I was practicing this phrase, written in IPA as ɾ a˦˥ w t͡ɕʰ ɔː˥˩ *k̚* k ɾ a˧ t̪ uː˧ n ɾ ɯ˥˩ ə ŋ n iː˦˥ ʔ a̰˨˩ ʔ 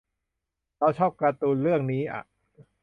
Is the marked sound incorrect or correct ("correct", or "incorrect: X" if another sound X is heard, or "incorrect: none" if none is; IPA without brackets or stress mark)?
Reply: incorrect: p̚